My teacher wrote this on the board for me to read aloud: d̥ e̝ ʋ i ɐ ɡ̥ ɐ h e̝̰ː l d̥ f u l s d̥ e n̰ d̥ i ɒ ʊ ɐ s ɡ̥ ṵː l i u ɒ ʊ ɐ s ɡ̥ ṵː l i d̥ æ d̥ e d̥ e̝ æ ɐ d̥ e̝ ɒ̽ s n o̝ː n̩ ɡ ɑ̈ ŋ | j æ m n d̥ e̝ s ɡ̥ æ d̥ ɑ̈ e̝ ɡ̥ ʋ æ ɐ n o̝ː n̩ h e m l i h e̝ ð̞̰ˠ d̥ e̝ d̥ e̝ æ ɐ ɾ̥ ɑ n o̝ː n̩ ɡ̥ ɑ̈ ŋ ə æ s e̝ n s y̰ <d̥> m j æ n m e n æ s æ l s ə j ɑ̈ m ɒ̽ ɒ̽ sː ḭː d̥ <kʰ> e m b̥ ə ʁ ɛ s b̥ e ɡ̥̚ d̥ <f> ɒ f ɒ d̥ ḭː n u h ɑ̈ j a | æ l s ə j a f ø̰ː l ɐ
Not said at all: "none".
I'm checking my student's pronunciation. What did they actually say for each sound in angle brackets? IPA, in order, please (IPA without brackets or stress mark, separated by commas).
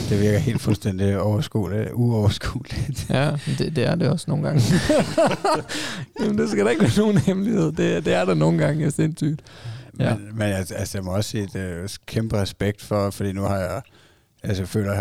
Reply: d̥, kʰ, f